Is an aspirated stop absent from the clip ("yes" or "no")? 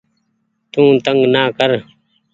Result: yes